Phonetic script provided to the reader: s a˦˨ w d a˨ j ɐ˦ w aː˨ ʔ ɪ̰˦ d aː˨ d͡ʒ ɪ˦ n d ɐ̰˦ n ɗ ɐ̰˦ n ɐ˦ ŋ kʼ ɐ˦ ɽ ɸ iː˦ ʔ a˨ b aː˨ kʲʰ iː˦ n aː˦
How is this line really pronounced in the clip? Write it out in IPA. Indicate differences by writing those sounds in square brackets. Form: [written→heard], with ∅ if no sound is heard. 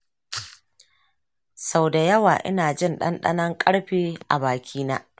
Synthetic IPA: s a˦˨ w d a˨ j ɐ˦ w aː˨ ʔ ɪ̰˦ [d→n] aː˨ d͡ʒ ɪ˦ n [d→ɗ] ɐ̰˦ n ɗ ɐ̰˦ n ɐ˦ ŋ kʼ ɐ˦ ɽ ɸ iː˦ ʔ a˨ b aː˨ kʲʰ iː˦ n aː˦